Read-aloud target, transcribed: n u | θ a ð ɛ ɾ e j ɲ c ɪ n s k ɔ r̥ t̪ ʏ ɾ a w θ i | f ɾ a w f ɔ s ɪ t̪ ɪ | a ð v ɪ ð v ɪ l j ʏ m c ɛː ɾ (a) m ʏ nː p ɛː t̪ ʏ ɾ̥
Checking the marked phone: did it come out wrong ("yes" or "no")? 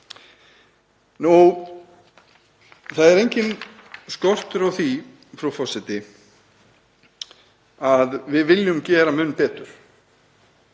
no